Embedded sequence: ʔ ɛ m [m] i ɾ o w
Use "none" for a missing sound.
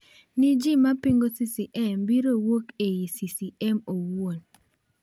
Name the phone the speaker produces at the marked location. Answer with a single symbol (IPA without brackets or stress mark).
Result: b